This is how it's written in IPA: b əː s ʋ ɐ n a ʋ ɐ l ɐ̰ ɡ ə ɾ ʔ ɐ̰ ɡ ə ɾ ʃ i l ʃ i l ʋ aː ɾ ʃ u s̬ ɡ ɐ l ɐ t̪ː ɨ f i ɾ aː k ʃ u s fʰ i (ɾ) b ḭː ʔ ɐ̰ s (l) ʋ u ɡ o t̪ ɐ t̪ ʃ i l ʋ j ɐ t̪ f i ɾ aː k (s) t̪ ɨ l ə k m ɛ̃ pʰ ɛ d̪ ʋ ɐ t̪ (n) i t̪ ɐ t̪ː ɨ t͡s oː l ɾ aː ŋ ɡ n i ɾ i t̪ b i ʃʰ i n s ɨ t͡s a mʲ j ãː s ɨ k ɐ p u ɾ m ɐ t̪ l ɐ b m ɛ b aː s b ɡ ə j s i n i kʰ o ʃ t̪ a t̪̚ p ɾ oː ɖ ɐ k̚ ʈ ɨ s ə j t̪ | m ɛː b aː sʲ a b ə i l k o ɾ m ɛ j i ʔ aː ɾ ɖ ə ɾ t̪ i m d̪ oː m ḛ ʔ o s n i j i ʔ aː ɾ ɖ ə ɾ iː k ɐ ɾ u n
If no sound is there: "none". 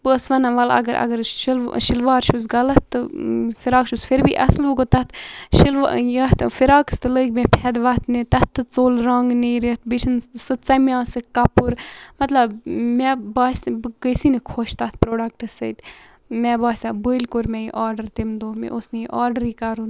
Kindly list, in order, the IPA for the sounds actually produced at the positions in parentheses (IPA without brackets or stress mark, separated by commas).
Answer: ɾ, l, s, n